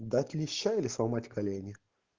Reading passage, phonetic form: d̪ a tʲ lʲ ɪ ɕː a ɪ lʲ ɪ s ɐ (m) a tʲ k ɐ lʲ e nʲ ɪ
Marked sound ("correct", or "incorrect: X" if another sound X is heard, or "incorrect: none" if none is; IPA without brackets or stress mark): correct